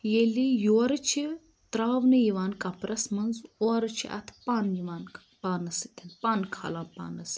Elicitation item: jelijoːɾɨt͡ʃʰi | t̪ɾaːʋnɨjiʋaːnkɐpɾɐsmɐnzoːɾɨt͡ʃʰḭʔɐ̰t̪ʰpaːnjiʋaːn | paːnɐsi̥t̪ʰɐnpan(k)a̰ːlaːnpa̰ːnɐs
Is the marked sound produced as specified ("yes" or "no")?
no